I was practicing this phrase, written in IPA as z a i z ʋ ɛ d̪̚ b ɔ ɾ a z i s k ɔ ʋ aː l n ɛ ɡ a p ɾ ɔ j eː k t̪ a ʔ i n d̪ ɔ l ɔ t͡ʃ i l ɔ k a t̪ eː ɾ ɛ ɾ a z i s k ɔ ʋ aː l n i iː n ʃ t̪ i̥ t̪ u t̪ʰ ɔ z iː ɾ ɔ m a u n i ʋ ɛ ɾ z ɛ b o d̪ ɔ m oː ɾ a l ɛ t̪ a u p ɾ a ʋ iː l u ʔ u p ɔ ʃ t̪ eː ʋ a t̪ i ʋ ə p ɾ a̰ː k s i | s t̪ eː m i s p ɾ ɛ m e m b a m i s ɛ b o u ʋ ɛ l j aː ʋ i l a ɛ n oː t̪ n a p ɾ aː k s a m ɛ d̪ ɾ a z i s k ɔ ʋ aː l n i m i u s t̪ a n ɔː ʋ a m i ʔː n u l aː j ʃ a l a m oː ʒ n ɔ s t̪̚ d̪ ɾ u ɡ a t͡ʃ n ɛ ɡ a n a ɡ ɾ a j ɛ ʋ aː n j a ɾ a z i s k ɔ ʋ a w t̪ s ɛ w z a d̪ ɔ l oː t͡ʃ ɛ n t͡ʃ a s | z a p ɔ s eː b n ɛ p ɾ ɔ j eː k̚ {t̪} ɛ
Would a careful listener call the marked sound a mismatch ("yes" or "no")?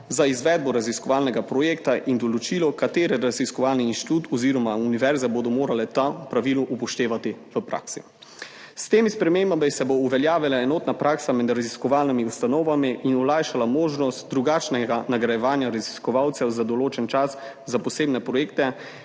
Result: no